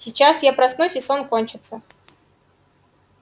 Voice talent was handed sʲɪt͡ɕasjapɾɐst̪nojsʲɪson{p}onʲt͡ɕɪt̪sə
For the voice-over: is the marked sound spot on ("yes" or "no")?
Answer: no